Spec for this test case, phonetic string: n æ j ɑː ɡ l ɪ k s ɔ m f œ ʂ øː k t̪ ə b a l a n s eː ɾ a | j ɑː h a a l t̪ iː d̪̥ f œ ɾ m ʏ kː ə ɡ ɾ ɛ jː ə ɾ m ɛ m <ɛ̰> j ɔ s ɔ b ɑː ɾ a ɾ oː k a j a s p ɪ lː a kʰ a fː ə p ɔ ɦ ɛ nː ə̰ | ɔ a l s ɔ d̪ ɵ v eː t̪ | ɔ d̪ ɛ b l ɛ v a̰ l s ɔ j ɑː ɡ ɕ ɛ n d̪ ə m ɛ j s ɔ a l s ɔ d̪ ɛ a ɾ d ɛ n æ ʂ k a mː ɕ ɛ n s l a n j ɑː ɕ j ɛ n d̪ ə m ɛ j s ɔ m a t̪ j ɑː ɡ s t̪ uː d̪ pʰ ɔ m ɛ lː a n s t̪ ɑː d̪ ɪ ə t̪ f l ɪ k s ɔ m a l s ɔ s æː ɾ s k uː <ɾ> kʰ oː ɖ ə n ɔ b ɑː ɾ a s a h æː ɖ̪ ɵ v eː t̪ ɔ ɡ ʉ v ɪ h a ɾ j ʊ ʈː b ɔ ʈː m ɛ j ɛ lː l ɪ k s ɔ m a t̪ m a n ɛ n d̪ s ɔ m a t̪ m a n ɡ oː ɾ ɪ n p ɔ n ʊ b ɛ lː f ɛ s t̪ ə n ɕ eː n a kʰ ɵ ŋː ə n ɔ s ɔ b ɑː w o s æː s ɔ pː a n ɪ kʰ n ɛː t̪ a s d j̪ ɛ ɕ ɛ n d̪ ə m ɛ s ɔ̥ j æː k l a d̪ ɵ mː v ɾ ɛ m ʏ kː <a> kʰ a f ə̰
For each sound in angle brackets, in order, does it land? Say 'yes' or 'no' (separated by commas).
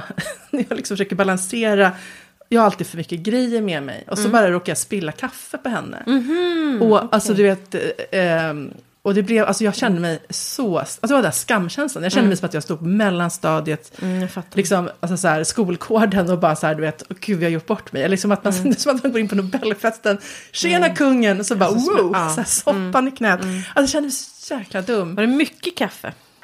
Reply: yes, no, no